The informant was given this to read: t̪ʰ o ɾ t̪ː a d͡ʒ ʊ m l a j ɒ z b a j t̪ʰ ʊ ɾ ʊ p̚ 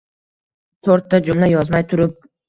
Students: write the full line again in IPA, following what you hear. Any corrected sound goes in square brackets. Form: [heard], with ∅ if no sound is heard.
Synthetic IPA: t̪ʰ o ɾ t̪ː a d͡ʒ ʊ m l a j ɒ z [m] a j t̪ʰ ʊ ɾ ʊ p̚

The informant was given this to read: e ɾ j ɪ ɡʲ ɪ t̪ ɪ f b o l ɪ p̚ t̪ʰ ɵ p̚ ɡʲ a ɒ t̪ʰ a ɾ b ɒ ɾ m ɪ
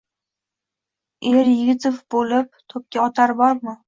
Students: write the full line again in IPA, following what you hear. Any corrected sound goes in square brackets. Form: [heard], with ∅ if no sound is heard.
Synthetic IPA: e ɾ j ɪ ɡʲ ɪ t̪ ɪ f b o l ɪ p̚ t̪ʰ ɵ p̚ [kʲ] a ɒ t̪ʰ a ɾ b ɒ ɾ m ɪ

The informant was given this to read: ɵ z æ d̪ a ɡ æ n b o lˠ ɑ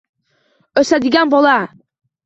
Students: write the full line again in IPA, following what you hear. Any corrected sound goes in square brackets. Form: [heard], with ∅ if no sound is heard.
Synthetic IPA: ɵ [s] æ d̪ [i] ɡ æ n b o lˠ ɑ

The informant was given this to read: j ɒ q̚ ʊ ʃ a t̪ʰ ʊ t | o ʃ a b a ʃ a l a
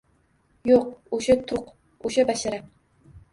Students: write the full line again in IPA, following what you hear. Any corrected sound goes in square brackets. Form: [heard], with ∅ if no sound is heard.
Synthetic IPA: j [o] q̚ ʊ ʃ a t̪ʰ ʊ [q] | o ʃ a b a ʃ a [ɾ] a

